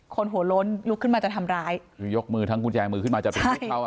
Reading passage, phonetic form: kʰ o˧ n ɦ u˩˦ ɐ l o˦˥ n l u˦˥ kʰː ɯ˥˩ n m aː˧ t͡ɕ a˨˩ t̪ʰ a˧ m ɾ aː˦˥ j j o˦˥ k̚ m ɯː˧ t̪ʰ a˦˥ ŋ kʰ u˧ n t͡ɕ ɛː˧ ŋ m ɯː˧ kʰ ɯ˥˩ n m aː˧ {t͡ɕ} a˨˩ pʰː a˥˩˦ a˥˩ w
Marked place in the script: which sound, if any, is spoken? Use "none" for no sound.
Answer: t͡ɕ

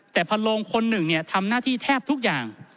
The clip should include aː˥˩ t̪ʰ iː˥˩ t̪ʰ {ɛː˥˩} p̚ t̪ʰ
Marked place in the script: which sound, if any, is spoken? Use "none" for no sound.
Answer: ɛː˥˩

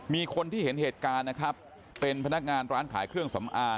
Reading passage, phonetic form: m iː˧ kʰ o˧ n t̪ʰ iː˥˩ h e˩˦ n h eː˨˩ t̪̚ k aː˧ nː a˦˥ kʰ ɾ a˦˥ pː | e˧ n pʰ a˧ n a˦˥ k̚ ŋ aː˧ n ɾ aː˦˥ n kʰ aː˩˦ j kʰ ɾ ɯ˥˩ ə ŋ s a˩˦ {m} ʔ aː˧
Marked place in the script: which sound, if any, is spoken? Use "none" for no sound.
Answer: m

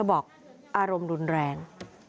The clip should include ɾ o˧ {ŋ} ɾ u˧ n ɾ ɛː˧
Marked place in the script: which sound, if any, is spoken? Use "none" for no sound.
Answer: m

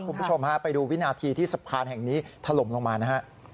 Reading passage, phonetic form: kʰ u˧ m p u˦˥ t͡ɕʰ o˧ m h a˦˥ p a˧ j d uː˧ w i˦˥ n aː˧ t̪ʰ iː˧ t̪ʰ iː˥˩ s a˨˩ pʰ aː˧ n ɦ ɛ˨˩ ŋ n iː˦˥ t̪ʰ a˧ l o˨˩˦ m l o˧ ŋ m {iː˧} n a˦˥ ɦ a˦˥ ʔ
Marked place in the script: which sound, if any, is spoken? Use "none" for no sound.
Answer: aː˧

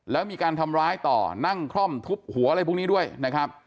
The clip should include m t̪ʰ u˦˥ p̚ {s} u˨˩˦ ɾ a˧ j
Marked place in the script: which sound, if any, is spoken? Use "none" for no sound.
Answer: h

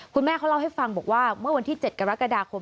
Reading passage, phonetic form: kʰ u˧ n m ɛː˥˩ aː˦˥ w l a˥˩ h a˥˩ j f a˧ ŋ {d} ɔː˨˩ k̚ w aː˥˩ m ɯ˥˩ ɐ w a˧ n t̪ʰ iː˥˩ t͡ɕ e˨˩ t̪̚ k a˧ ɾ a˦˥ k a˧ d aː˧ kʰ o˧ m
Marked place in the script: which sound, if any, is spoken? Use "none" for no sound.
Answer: b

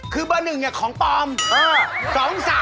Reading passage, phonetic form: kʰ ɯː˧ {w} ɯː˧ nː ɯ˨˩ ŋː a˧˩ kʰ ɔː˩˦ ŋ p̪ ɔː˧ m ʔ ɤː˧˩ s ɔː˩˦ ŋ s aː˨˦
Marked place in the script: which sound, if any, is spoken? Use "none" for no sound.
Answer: b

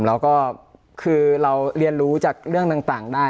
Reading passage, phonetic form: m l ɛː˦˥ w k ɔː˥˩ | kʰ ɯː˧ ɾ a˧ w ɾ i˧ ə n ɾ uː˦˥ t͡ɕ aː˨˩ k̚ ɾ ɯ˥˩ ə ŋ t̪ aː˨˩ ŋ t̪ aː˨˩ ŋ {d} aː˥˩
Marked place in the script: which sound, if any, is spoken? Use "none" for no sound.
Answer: d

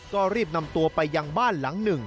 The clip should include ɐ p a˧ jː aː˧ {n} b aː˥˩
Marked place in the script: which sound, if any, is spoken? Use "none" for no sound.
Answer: ŋ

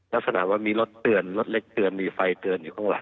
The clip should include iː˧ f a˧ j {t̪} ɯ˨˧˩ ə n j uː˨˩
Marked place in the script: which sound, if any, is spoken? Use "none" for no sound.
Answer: t̪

